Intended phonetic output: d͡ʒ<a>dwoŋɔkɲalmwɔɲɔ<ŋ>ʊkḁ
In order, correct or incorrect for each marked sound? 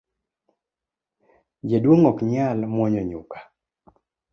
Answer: incorrect: e, incorrect: ɲ

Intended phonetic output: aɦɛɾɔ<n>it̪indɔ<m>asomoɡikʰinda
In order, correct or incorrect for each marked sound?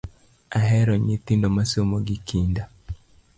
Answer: incorrect: ɲ, correct

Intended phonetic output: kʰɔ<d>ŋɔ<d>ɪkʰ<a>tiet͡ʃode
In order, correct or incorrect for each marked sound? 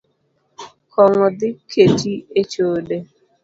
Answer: incorrect: none, correct, incorrect: e

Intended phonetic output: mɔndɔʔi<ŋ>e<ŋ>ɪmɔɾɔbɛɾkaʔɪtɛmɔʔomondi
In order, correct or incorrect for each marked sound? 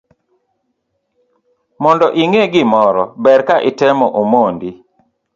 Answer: correct, incorrect: ɡ

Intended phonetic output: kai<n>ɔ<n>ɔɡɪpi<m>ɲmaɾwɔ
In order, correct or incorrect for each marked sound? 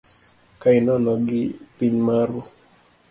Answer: correct, correct, incorrect: none

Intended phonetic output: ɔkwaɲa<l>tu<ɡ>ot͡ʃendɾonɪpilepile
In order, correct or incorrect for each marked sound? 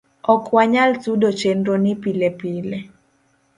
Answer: correct, incorrect: d

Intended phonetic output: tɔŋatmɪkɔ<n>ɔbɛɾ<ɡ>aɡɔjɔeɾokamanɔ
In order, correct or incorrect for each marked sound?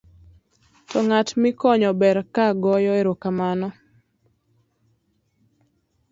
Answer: incorrect: ɲ, incorrect: k

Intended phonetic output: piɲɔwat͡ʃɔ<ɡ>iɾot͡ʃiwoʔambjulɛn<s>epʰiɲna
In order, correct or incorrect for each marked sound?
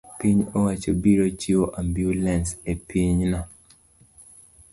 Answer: incorrect: b, correct

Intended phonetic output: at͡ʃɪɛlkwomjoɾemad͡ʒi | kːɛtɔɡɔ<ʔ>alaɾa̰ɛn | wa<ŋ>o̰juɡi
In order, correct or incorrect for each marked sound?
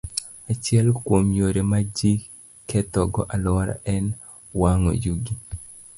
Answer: correct, correct

